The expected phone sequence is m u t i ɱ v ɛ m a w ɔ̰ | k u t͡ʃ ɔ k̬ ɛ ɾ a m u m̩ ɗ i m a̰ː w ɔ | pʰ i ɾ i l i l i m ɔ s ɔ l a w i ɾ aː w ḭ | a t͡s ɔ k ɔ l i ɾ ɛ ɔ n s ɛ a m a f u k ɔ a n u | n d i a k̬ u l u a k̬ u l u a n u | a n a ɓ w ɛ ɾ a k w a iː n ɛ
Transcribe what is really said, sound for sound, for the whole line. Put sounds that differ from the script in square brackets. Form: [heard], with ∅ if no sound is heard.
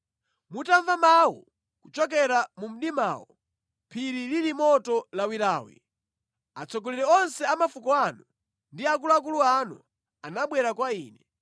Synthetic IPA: m u t [a] ɱ v [a] m a w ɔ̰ | k u t͡ʃ ɔ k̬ ɛ ɾ a m u m̩ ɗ i m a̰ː w ɔ | pʰ i ɾ i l i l i m ɔ [t] ɔ l a w i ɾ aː w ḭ | a t͡s ɔ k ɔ l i ɾ ɛ ɔ n s ɛ a m a f u k ɔ a n u | n d i a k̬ u l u a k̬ u l u a n u | a n a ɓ w ɛ ɾ a k w a iː n ɛ